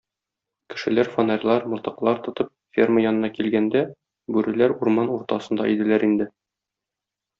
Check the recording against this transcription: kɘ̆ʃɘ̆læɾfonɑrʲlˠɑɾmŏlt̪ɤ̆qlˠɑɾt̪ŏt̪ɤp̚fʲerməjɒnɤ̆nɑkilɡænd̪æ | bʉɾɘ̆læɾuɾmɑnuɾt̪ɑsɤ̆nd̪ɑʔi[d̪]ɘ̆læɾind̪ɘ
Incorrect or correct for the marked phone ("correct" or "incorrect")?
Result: correct